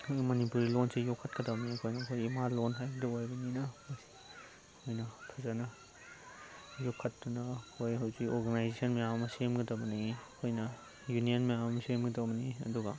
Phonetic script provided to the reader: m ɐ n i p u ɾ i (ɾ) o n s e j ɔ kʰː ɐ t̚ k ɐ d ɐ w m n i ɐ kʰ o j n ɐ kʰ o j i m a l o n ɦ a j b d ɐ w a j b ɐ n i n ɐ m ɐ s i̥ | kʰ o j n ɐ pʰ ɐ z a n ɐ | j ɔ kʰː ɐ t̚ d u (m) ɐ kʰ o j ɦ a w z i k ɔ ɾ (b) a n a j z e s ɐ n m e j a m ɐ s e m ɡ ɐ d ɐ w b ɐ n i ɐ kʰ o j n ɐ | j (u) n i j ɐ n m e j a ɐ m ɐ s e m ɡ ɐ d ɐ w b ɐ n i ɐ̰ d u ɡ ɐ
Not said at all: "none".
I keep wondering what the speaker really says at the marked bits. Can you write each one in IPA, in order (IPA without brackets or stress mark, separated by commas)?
l, n, ɡ, u